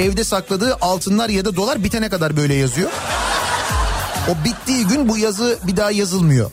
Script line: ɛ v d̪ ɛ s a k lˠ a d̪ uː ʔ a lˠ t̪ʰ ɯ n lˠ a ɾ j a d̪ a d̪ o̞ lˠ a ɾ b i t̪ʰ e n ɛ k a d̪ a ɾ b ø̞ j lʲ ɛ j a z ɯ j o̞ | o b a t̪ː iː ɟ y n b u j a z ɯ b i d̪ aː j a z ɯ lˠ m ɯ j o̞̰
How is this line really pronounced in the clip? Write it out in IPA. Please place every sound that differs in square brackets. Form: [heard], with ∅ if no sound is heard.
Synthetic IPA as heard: ɛ v d̪ ɛ s a k lˠ a d̪ [ɯː] ʔ a lˠ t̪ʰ ɯ n lˠ a ɾ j a d̪ a d̪ o̞ lˠ a ɾ b i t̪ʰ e n ɛ k a d̪ a ɾ b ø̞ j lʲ ɛ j a z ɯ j o̞ | o b [i] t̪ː iː ɟ y n b u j a z ɯ b i d̪ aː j a z ɯ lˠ m ɯ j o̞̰